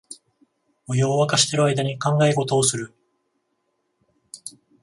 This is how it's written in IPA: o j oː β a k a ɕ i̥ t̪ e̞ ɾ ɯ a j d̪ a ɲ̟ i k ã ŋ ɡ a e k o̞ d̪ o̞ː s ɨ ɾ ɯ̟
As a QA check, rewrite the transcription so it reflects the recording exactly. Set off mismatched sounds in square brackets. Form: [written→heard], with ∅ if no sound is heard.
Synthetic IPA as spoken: o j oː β a k a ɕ i̥ t̪ e̞ ɾ ɯ a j d̪ a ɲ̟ i k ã ŋ ɡ a e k o̞ [d̪→t̪] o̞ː s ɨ ɾ ɯ̟